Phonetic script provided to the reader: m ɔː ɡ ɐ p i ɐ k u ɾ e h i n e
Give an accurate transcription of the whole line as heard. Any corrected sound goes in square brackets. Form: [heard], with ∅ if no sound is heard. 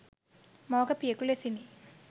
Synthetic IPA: m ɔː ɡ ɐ p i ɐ k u [l] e [s] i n [i]